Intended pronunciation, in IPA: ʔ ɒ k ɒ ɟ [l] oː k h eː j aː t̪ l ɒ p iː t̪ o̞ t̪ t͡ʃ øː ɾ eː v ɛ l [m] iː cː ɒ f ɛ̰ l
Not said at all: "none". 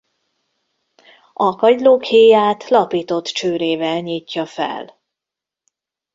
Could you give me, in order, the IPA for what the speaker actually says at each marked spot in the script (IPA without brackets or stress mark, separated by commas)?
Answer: l, ɲ